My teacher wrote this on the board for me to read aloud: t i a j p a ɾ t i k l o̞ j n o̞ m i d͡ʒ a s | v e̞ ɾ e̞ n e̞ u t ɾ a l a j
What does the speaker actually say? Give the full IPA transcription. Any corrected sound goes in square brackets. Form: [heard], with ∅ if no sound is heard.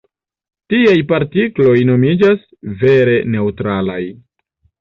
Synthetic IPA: t i a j p a ɾ t i k l o̞ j n o̞ m i d͡ʒ a s | v e̞ ɾ e̞ n e̞ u t ɾ a l a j

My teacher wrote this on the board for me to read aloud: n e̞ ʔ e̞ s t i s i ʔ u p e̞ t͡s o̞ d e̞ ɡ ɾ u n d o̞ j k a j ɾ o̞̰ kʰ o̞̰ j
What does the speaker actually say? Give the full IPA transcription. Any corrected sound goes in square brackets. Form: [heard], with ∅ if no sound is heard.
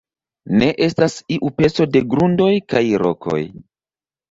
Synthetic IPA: n e̞ ʔ e̞ s t [a] s i ʔ u p e̞ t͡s o̞ d e̞ ɡ ɾ u n d o̞ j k a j ɾ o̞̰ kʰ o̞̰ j

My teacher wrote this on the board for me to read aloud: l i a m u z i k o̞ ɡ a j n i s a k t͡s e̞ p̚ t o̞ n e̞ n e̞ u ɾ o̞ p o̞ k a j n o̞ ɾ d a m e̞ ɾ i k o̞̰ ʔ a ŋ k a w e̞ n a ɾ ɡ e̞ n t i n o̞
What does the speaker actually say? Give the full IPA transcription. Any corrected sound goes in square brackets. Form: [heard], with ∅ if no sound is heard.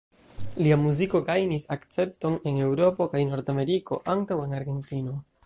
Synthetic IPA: l i a m u z i k o̞ ɡ a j n i s a k t͡s e̞ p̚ t o̞ n e̞ n e̞ [w] ɾ o̞ p o̞ k a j n o̞ ɾ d a m e̞ ɾ i k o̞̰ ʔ a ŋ [t] a w e̞ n a ɾ ɡ e̞ n t i n o̞

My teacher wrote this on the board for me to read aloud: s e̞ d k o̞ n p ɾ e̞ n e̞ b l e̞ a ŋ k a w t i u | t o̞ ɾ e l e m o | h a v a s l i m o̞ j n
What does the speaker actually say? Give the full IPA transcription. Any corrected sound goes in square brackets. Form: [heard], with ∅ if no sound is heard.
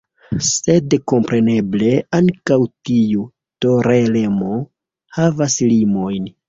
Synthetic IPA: s e̞ d k o̞ [m] p ɾ e̞ n e̞ b l e̞ a ŋ k a w t i u | t o̞ ɾ e l e m o | h a v a s l i m o̞ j n

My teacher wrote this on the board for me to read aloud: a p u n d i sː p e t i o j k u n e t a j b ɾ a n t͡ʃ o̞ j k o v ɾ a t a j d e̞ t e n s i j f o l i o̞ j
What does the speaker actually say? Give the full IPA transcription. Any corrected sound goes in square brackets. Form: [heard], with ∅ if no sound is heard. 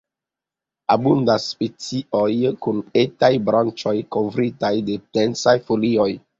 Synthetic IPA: a [b] u n d [a] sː p e [t͡s] i o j k u n e t a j b ɾ a n t͡ʃ o̞ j k o v ɾ [i] t a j d e̞ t e n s [a] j f o l i o̞ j

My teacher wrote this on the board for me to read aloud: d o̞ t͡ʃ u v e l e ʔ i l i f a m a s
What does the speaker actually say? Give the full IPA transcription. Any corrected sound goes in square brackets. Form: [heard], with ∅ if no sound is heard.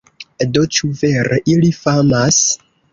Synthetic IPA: d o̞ t͡ʃ u v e [ɾ] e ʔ i l i f a m a s

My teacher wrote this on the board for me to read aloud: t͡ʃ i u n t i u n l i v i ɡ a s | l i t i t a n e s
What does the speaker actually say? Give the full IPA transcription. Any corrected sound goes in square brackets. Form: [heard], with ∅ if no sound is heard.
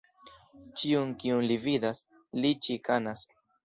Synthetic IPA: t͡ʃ i u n [k] i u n l i v i [d] a s | l i [t͡ʃ] i [k] a n [a] s

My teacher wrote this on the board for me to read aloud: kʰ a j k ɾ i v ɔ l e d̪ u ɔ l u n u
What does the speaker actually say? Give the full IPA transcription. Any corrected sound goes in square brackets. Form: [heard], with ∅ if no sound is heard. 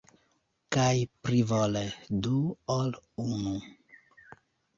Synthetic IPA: [k] a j [p] ɾ i v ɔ l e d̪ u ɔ l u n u

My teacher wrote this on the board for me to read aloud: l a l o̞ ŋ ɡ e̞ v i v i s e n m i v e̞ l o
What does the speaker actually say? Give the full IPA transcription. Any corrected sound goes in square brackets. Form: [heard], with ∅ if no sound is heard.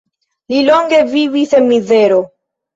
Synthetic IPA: l [i] l o̞ ŋ ɡ e̞ v i v i s e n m i [z] e̞ [ɾ] o

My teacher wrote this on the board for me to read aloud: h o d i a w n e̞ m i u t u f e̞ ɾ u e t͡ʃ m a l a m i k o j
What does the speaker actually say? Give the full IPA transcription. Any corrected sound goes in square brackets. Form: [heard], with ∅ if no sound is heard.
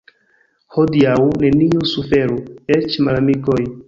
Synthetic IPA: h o d i a w n e̞ [n] i u [s] u f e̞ ɾ u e t͡ʃ m a l a m i k o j

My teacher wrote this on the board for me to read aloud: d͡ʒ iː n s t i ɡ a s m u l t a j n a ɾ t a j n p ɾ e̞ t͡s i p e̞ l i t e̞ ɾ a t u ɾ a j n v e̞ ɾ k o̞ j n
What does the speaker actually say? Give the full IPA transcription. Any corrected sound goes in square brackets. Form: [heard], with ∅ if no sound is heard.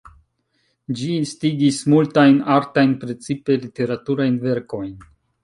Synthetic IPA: d͡ʒ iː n s t i ɡ [i] s m u l t a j n a ɾ t a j n p ɾ e̞ t͡s i p e̞ l i t e̞ ɾ a t u ɾ a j n v e̞ ɾ k o̞ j n

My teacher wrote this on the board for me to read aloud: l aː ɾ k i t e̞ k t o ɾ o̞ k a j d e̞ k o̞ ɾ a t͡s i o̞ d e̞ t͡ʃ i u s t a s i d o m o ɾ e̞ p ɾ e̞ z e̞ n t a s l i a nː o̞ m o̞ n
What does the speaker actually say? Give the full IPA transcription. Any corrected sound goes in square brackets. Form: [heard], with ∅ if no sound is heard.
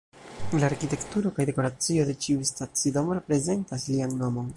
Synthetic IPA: l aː ɾ k i t e̞ k t [u] ɾ o̞ k a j d e̞ k o̞ ɾ a t͡s i o̞ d e̞ t͡ʃ i u s t a [t͡s] i d o m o ɾ e̞ p ɾ e̞ z e̞ n t a s l i a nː o̞ m o̞ n

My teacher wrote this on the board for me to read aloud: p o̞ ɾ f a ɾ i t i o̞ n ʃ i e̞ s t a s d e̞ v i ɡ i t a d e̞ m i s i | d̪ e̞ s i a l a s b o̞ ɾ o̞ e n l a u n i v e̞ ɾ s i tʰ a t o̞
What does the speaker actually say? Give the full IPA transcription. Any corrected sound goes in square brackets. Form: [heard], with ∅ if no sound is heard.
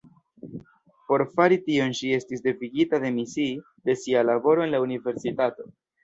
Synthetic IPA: p o̞ ɾ f a ɾ i t i o̞ n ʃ i e̞ s t [i] s d e̞ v i ɡ i t a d e̞ m i s i | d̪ e̞ s i a l a [∅] b o̞ ɾ o̞ e n l a u n i v e̞ ɾ s i [t] a t o̞

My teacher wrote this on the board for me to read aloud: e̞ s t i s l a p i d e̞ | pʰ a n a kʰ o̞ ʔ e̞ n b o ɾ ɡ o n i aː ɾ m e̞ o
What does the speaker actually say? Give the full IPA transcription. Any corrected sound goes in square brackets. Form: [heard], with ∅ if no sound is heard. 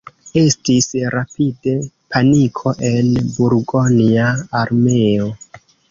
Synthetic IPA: e̞ s t i s [ɾ] a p i d e̞ | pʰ a n [i] kʰ o̞ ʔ e̞ n b [u] ɾ ɡ o n i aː ɾ m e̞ o

